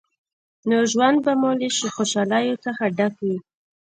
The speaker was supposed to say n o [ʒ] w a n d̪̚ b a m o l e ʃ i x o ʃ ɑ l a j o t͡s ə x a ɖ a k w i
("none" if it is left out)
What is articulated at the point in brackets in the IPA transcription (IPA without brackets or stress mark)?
ʒ